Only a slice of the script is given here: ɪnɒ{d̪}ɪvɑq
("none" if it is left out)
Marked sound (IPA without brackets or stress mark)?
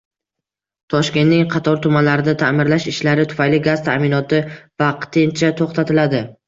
t̪